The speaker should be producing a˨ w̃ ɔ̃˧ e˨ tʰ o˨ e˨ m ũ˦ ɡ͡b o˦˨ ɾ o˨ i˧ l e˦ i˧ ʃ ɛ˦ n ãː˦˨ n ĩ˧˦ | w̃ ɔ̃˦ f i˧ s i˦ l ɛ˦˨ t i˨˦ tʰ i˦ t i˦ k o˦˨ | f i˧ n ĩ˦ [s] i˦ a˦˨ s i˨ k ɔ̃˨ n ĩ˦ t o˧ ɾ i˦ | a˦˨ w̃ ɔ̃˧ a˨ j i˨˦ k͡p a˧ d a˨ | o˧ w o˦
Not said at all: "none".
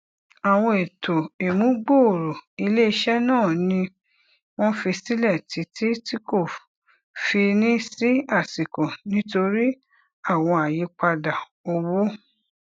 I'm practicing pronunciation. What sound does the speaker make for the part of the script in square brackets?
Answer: s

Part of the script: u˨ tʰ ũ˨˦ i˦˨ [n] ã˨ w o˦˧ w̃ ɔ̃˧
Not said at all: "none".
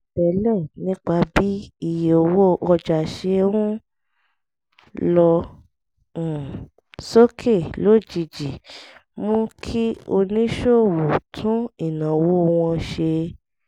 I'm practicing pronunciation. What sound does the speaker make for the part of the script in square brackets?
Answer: n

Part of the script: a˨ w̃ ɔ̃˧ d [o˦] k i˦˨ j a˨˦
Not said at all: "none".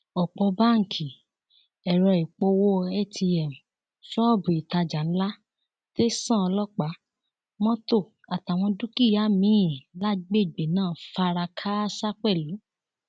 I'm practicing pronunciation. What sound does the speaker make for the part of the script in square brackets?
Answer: u˦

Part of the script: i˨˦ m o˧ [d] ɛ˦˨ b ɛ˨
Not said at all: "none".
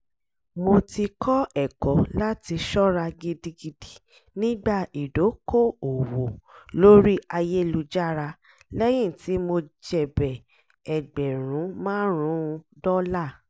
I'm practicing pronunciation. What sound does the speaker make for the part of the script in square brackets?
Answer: d͡ʒ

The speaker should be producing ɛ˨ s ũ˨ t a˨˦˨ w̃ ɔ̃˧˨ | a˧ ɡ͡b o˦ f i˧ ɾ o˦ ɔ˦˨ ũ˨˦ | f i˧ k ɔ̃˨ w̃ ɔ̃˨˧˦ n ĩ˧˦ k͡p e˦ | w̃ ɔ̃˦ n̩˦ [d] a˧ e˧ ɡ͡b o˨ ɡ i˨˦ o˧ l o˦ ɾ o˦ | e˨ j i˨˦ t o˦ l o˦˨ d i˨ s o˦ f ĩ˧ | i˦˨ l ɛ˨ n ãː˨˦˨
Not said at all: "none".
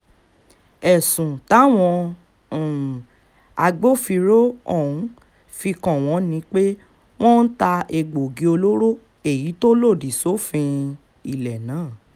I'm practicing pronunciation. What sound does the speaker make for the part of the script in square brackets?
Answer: t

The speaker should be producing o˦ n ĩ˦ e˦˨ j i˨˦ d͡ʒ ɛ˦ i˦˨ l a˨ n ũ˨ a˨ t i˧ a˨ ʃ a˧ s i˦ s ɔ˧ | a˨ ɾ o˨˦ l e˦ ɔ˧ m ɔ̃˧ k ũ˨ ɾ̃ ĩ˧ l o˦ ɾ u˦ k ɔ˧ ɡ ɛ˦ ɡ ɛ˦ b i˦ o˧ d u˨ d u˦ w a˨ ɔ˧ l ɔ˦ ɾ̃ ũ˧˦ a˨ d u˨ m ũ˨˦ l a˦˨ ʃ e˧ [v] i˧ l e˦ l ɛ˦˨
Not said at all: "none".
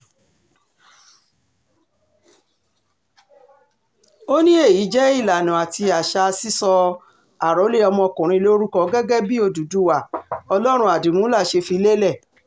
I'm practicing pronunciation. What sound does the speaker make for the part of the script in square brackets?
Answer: f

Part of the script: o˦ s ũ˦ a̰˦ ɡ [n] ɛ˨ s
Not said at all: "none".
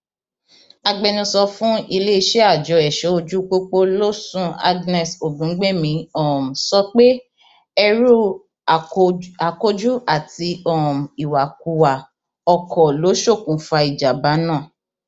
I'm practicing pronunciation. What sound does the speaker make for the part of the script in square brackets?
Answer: n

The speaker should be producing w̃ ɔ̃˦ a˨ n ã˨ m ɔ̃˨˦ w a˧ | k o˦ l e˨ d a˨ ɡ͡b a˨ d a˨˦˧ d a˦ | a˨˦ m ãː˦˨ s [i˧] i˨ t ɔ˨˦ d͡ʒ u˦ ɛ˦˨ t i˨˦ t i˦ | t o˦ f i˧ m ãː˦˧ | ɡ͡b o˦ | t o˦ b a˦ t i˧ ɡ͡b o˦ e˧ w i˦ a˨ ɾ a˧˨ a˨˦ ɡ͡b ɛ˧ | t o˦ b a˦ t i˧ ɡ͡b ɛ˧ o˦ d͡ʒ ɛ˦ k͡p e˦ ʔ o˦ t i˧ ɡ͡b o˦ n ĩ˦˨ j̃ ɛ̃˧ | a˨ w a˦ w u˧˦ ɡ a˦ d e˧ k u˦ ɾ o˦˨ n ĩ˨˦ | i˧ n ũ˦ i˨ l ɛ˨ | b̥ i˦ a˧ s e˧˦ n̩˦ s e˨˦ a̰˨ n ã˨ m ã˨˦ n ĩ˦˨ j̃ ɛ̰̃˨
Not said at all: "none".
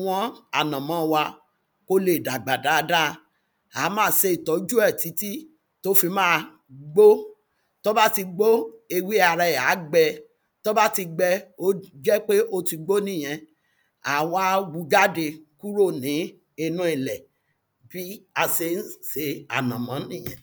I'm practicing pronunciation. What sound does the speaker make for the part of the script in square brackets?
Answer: e˧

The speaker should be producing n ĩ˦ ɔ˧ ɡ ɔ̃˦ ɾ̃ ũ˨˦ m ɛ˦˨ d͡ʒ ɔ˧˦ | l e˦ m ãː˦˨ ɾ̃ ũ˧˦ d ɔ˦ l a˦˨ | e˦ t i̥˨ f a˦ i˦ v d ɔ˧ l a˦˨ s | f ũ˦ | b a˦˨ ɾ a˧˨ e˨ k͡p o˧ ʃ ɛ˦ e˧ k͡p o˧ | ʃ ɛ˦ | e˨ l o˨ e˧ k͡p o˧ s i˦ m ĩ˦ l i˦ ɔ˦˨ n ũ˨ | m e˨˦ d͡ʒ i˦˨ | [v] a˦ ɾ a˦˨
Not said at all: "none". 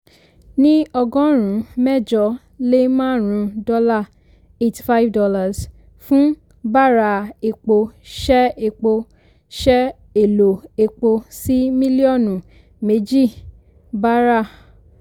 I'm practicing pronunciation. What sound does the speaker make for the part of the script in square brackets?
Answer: b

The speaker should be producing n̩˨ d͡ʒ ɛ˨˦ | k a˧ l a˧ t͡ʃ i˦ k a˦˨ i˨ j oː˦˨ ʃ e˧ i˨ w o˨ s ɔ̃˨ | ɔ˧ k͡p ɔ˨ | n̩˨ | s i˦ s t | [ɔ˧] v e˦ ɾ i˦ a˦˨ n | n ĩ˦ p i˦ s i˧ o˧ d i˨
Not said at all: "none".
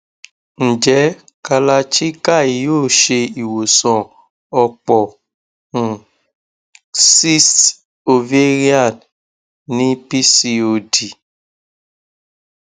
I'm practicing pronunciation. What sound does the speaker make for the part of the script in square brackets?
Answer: o˧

